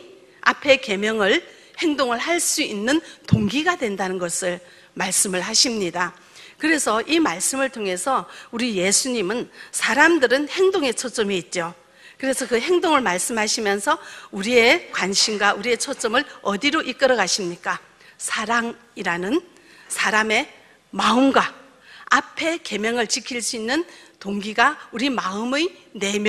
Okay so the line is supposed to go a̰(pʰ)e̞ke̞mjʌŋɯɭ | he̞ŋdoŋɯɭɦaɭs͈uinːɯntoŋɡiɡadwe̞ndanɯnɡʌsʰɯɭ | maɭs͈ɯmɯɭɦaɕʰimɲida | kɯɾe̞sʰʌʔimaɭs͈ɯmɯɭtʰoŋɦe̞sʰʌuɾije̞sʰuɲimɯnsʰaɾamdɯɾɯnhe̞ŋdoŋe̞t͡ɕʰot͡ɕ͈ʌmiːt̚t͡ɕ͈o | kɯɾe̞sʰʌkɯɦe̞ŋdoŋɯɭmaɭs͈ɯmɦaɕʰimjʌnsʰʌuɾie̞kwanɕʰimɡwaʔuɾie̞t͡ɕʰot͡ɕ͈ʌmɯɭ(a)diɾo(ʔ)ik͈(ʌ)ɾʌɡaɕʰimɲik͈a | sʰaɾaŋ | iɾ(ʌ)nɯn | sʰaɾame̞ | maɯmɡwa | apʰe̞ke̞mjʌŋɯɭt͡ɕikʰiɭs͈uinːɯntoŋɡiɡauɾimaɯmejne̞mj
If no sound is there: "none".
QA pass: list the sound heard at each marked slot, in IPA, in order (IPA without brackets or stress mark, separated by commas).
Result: pʰ, ʌ, ʔ, ʌ, a